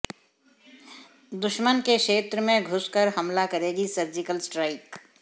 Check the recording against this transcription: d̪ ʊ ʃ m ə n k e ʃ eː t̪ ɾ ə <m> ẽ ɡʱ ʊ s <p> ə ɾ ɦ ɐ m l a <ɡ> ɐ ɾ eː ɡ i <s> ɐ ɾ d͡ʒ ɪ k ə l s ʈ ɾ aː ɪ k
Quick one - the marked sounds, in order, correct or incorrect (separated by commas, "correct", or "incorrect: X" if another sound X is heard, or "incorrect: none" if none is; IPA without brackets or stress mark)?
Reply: correct, incorrect: k, incorrect: k, correct